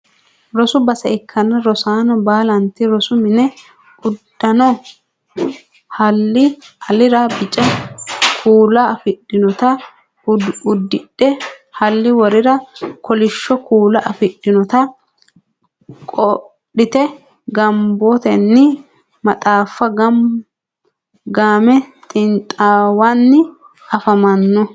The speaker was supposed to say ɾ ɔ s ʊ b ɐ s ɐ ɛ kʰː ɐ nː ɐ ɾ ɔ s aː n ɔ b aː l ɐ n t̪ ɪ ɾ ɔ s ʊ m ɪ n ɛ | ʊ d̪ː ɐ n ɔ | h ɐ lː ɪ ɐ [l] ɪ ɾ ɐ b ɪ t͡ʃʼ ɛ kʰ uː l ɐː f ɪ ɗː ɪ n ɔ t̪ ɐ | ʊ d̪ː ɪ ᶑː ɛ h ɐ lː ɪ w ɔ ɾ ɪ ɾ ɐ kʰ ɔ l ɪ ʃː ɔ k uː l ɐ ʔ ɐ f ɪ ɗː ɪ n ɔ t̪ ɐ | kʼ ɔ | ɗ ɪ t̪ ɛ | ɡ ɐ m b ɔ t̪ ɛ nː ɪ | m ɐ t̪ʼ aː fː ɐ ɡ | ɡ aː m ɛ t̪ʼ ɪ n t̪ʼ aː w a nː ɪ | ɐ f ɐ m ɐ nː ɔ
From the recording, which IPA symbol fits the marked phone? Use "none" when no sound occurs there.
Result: l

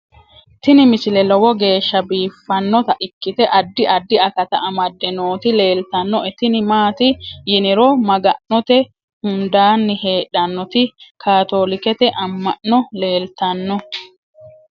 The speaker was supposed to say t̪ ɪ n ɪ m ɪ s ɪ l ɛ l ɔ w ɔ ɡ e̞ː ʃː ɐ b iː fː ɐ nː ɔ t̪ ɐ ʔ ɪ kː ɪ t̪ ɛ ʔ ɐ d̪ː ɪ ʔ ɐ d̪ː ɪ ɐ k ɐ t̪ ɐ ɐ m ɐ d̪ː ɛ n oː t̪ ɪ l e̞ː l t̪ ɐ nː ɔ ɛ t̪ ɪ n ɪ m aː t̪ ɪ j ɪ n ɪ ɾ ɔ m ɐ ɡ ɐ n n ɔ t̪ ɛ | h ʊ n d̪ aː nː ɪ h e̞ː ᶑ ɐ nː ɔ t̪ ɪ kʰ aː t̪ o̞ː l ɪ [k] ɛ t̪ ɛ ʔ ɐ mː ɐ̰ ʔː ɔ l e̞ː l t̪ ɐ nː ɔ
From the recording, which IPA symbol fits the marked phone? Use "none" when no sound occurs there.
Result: k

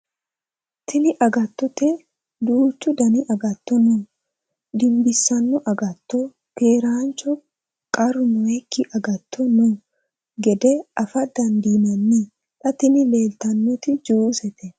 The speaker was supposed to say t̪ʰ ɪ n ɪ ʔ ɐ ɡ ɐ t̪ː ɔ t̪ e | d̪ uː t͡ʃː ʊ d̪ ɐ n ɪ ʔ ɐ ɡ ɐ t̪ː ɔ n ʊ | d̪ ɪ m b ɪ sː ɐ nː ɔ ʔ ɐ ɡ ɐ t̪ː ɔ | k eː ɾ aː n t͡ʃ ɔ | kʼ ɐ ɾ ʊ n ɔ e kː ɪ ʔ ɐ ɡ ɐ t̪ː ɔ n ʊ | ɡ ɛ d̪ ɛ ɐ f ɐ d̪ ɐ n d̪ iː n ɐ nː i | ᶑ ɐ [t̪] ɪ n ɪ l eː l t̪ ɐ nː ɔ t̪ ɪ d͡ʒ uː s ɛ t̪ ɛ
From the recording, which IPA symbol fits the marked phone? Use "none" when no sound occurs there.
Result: t̪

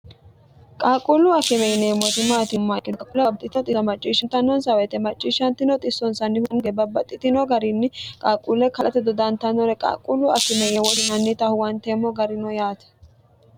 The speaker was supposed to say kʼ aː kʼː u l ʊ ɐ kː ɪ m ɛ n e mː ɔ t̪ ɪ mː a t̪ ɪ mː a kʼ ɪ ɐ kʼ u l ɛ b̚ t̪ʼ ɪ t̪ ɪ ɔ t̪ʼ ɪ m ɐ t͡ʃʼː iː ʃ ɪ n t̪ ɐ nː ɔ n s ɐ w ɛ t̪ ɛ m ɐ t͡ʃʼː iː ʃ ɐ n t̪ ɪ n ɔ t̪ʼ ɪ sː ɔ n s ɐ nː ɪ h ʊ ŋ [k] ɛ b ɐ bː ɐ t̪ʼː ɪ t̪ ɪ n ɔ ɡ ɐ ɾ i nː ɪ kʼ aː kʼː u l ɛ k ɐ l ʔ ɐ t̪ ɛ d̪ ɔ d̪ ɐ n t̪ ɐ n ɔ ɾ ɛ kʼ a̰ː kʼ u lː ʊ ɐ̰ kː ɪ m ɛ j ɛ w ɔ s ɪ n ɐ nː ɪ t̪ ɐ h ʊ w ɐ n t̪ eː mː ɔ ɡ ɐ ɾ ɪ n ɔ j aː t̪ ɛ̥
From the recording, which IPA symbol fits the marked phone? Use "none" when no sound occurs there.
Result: ɡ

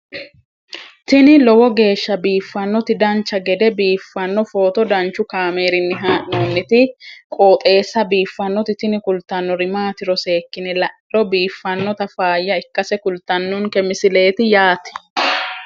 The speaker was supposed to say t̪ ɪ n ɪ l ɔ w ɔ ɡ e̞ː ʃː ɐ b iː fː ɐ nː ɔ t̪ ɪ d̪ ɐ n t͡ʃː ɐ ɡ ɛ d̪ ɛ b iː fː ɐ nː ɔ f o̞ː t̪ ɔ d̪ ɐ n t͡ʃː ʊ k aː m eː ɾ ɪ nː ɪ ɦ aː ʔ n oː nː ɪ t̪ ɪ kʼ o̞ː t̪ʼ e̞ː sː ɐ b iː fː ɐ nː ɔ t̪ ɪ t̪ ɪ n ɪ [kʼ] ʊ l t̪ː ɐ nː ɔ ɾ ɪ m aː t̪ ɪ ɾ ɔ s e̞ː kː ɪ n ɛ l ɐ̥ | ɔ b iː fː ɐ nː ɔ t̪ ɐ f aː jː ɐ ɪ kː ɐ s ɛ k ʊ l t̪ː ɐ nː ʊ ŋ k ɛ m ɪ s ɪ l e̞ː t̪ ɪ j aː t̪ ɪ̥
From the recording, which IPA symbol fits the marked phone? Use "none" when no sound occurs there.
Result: k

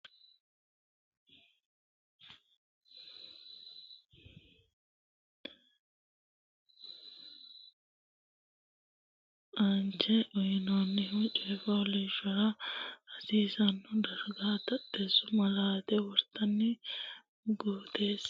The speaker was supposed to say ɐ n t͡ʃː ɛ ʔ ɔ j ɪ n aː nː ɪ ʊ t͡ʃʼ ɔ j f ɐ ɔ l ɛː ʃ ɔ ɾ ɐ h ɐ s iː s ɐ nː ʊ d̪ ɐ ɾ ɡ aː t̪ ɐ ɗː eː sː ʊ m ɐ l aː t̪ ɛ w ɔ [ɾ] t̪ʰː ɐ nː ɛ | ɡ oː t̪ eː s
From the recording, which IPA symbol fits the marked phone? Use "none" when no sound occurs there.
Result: ɾ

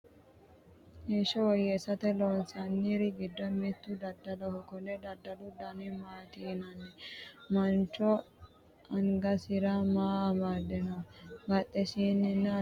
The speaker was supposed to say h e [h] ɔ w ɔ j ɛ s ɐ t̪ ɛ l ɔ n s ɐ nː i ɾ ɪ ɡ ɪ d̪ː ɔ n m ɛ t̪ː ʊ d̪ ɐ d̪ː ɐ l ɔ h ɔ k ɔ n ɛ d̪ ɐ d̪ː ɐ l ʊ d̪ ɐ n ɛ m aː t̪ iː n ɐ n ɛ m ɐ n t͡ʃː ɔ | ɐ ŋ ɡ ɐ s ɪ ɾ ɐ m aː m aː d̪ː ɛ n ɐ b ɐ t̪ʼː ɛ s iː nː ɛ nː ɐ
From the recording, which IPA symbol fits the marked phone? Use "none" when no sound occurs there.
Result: ʃ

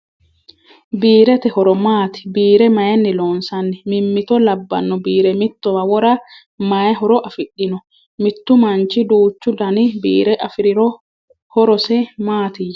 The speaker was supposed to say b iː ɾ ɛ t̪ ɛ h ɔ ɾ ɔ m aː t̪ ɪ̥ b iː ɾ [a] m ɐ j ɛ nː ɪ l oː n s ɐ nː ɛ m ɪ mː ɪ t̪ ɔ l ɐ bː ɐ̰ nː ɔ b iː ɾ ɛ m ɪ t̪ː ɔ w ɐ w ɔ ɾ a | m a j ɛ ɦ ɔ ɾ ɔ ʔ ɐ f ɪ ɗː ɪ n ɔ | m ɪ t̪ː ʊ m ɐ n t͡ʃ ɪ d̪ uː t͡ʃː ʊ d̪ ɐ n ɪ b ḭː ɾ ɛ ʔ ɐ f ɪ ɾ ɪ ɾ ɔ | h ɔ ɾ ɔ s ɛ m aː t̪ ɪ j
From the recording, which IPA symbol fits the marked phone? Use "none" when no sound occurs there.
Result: ɛ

